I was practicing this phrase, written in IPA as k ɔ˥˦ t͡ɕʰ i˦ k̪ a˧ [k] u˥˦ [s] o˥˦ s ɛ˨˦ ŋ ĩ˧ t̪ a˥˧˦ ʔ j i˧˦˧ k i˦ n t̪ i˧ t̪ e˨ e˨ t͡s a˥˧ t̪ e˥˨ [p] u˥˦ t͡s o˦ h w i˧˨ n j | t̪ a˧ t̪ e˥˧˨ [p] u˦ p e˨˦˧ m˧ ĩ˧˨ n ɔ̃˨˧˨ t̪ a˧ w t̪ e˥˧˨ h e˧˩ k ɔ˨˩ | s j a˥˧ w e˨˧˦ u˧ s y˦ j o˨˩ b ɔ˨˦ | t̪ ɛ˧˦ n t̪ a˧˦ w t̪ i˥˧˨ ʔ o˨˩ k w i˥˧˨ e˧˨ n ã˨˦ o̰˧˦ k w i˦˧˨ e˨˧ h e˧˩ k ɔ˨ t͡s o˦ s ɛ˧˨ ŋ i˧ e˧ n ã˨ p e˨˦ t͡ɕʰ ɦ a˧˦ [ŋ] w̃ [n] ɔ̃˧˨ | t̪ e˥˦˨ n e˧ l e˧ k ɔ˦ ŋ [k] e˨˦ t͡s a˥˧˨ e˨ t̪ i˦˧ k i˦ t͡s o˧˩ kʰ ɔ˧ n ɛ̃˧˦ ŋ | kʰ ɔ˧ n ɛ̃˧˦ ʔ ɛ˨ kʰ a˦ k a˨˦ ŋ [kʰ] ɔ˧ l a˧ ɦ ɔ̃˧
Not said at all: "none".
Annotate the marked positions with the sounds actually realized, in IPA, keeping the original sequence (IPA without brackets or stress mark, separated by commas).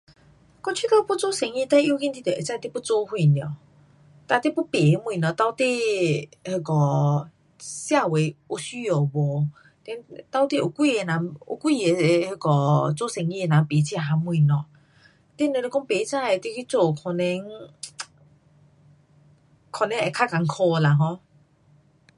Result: p, t͡s, p, p, m, n, p, kʰ